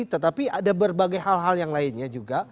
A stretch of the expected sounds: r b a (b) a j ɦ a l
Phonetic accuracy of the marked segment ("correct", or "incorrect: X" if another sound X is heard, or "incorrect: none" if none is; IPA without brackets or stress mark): incorrect: ɡ